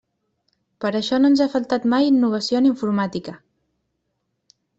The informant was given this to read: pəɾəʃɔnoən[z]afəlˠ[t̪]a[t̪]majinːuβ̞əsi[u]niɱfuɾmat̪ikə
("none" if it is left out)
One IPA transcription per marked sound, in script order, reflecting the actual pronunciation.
z, t̪, t̪, o

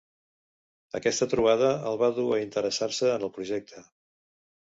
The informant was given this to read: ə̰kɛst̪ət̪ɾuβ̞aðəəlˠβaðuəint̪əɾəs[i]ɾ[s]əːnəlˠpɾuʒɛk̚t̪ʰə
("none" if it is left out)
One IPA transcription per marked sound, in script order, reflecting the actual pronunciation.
a, s

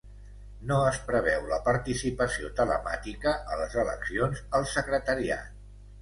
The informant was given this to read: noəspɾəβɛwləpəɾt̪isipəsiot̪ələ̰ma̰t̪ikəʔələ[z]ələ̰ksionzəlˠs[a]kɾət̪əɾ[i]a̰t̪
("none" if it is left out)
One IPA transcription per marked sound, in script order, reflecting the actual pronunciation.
z, ə, i

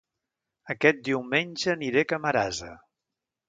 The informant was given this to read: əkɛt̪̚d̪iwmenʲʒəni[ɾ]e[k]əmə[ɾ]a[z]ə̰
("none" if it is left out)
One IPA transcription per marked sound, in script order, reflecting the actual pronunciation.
ɾ, k, ɾ, z

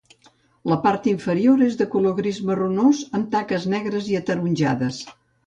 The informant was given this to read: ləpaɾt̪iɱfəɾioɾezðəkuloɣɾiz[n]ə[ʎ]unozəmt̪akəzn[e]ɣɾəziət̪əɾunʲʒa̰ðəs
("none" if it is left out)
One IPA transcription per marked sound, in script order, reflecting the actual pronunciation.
m, r, ɛ

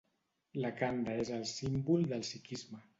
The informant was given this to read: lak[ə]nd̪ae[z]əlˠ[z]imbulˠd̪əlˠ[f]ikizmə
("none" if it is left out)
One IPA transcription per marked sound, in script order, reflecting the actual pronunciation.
a, z, s, s

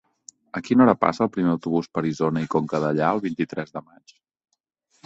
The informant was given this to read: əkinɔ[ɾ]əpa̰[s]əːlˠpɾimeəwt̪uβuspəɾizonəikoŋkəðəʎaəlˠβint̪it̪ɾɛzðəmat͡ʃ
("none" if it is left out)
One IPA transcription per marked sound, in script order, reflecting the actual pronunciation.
ɾ, s

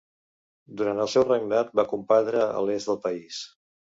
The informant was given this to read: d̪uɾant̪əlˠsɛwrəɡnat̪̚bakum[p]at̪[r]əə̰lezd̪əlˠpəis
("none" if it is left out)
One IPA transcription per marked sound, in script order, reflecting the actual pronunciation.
p, ɾ

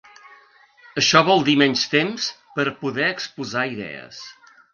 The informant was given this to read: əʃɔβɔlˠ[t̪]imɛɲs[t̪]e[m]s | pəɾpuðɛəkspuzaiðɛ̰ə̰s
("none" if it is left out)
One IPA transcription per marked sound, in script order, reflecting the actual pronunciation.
d̪, t̪, m

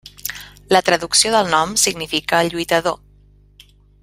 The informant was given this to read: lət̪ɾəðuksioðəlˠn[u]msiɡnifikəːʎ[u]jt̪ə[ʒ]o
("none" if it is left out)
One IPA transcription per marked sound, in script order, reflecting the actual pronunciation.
ɔ, u, ð

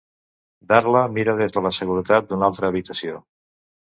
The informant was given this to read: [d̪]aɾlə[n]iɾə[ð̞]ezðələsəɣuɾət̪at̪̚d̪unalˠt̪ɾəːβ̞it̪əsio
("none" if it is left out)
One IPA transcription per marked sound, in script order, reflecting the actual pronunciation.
d̪, m, ð̞

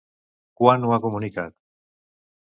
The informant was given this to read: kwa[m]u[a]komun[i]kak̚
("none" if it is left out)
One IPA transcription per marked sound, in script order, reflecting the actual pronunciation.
n, a, i

